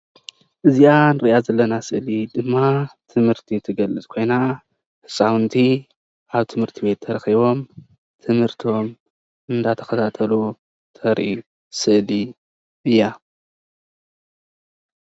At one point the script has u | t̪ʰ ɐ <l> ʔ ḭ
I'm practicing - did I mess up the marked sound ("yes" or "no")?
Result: yes